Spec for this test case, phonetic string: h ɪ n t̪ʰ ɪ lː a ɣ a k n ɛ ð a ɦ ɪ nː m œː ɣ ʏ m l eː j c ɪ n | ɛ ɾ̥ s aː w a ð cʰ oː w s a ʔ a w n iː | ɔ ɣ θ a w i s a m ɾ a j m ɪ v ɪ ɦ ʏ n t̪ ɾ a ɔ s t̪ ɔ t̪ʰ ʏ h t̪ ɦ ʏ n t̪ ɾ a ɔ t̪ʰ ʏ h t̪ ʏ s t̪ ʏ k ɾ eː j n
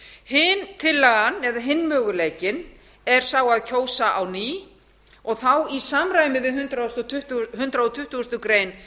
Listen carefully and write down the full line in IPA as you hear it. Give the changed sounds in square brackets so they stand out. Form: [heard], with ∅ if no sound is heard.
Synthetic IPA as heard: h ɪ n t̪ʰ ɪ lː a ɣ a [∅] n ɛ ð a ɦ ɪ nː m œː ɣ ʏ [∅] l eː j c ɪ n | ɛ ɾ̥ s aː w a ð cʰ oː w s a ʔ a w n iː | ɔ ɣ θ a w i s a m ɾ a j m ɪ [ð] ɪ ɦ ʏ n t̪ ɾ a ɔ s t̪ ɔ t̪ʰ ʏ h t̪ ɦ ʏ n t̪ ɾ a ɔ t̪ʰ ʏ h t̪ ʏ s t̪ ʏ k ɾ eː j n

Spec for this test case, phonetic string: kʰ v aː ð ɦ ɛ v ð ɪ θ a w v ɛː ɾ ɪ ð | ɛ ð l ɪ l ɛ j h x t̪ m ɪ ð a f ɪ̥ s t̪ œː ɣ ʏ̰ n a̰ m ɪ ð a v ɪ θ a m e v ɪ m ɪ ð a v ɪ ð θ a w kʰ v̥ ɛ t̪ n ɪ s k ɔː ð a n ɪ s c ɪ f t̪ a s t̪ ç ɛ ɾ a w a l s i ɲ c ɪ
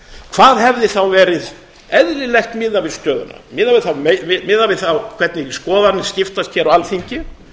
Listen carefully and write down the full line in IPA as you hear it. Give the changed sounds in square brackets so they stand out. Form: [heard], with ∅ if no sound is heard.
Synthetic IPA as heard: kʰ v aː ð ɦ ɛ v ð ɪ θ a w v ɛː ɾ ɪ ð | ɛ ð l ɪ l ɛ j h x t̪ m ɪ ð a [v] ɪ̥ s t̪ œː [ð] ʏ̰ n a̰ m ɪ ð a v ɪ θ a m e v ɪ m ɪ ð a v ɪ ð θ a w kʰ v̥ ɛ t̪ n ɪ s k ɔː ð a n ɪ s c ɪ f t̪ a s t̪ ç ɛ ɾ a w a l [θ] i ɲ c ɪ

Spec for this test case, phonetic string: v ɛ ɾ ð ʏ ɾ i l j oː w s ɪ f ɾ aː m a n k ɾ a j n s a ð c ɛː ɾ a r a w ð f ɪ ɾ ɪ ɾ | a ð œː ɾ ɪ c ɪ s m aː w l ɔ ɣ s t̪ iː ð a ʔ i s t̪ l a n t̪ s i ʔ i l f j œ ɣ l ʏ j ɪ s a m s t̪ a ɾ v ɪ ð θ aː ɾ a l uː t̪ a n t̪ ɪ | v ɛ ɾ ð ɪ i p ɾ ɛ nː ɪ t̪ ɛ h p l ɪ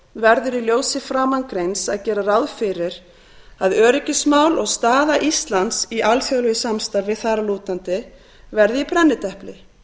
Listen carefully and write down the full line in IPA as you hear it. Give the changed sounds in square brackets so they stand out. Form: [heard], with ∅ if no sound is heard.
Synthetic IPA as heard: v ɛ ɾ ð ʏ ɾ i l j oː w s ɪ f ɾ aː m a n k ɾ [e] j n s a ð c ɛː ɾ a r a w ð f ɪ ɾ ɪ ɾ | a ð œː ɾ ɪ c ɪ s m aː w l ɔ ɣ s t̪ [aː] ð a ʔ i s t̪ l a n t̪ s i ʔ [a] l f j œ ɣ l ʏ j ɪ s a m s t̪ a ɾ v ɪ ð θ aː ɾ a l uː t̪ a n t̪ ɪ | v ɛ ɾ ð ɪ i p ɾ ɛ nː ɪ t̪ ɛ h p l ɪ

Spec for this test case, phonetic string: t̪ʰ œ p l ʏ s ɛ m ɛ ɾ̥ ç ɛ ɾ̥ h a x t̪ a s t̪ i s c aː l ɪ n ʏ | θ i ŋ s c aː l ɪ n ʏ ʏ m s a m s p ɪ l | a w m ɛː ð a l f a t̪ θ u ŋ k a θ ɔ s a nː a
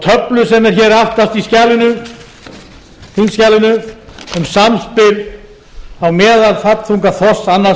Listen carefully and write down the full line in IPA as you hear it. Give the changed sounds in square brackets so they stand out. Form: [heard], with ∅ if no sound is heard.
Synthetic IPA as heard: t̪ʰ œ p l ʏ s ɛ m ɛ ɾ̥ ç ɛ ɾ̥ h a [f] t̪ a s t̪ i s c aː l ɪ n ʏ | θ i [n] s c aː l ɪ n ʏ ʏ m s a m s p ɪ l | a w m ɛː ð a l f a t̪ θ u ŋ k a θ ɔ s a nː a

